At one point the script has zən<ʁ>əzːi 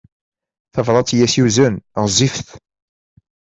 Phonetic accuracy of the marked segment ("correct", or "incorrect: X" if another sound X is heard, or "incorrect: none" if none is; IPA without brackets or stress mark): correct